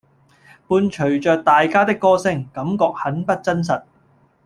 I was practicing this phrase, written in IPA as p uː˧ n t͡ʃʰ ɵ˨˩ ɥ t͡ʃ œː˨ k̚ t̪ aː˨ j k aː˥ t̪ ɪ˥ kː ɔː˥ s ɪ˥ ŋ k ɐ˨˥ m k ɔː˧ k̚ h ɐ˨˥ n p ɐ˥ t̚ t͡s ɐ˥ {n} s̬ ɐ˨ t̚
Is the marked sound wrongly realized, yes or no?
no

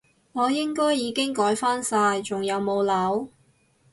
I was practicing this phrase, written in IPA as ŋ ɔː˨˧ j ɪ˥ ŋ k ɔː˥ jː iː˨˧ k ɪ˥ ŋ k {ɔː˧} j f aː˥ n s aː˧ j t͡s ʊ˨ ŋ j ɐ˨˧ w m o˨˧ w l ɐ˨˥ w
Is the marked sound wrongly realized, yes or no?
yes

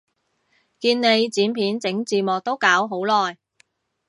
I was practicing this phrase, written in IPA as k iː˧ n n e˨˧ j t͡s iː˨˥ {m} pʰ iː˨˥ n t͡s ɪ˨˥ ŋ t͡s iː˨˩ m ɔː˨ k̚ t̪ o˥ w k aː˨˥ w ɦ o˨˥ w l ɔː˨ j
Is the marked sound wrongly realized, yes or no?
yes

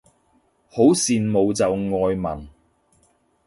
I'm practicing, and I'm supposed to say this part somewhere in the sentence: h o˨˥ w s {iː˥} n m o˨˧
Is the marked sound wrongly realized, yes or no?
yes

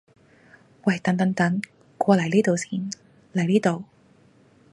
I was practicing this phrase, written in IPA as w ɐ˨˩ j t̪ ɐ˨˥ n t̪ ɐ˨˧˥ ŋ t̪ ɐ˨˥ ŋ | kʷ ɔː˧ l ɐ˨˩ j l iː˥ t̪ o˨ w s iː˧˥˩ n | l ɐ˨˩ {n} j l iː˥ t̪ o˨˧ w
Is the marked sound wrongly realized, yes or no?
yes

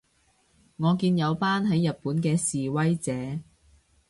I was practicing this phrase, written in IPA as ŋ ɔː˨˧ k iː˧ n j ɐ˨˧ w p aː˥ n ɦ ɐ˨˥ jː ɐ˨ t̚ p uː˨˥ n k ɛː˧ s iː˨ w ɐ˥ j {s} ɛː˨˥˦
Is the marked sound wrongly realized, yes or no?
yes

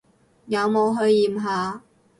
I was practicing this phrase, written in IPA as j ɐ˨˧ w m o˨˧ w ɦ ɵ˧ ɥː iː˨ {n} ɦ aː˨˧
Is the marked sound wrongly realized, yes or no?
yes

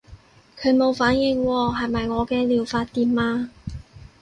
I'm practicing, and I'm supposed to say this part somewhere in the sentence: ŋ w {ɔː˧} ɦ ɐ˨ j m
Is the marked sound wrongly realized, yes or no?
no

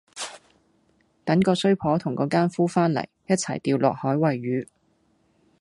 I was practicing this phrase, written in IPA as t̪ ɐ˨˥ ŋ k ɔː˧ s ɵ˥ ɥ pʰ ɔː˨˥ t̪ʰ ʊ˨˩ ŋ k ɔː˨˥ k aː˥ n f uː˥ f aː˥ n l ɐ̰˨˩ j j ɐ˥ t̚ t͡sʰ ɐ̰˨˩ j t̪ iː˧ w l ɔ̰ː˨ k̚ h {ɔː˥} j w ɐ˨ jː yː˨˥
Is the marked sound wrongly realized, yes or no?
yes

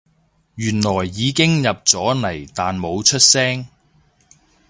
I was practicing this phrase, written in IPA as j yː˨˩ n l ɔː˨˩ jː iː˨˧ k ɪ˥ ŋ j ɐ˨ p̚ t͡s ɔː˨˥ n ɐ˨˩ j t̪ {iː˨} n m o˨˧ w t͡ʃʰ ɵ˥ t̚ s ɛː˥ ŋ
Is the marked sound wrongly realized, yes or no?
yes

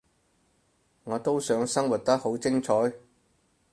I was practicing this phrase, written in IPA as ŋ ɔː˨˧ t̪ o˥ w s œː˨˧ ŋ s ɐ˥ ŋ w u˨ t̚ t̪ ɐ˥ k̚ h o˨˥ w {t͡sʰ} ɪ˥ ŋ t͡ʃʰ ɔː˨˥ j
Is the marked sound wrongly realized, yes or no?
yes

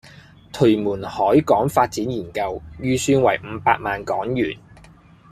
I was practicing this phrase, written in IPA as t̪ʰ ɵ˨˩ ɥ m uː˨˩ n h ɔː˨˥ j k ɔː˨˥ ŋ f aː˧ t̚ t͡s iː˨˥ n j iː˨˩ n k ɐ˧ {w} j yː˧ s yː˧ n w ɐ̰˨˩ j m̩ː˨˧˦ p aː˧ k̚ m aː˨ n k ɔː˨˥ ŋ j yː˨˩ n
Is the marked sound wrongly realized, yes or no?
no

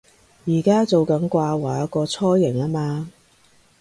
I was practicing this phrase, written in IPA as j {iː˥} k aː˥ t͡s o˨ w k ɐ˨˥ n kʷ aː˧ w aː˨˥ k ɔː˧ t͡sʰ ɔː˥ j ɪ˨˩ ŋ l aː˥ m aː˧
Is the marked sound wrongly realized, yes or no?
yes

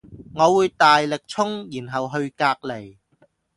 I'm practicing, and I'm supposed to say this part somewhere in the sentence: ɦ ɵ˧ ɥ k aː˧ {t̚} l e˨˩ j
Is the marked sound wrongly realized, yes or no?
yes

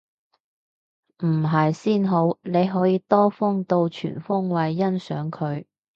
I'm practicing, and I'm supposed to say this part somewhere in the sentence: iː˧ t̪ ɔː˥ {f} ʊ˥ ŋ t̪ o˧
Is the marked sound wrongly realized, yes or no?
no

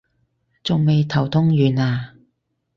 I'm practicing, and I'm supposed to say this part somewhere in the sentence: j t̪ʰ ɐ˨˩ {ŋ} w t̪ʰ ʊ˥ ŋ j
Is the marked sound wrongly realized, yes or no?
yes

